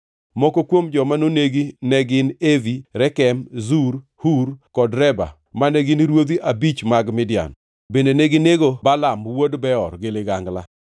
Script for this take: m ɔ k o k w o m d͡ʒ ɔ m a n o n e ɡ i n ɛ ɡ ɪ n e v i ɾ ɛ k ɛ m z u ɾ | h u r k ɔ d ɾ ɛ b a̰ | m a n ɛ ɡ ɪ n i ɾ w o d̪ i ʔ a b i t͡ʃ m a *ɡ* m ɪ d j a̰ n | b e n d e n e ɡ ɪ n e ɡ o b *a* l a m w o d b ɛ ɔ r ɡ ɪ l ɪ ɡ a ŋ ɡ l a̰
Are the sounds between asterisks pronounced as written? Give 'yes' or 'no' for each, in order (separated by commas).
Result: yes, yes